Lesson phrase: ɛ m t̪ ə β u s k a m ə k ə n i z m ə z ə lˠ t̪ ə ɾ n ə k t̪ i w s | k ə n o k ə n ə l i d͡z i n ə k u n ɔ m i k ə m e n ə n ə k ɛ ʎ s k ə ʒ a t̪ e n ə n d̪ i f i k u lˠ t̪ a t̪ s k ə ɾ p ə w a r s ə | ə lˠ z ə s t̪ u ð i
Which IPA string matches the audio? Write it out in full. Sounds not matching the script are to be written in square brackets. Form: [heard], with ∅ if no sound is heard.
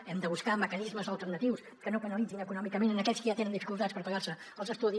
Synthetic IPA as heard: ɛ m [d̪] ə β u s k a m ə k ə n i z m ə z ə lˠ t̪ ə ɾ n ə [∅] t̪ i w s | k ə n o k ə n ə l i d͡z i n ə k u n ɔ m i k ə m e n ə n ə k ɛ ʎ s k ə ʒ a t̪ e n ə n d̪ i f i k u lˠ t̪ a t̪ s [p] ə ɾ p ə [ɣ] a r s ə | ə lˠ z ə s t̪ u ð i